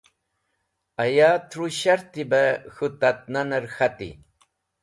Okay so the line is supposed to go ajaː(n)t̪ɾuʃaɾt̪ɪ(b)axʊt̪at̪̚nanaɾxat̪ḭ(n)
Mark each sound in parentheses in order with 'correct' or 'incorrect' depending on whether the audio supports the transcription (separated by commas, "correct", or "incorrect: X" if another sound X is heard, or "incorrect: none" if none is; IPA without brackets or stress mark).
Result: incorrect: none, correct, incorrect: none